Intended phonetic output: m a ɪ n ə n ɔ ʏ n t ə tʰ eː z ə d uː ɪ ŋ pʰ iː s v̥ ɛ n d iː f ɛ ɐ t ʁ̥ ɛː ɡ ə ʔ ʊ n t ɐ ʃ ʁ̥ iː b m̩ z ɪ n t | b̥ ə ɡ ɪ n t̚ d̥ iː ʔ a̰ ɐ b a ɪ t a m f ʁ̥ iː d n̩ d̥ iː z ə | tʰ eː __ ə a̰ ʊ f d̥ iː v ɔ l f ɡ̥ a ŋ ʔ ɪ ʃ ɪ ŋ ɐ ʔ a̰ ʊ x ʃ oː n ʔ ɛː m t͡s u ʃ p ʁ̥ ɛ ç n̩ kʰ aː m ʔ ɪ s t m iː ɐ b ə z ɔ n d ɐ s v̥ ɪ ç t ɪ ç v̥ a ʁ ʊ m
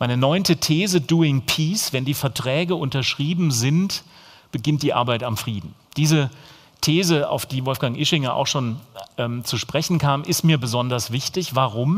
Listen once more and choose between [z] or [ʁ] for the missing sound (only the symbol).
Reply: z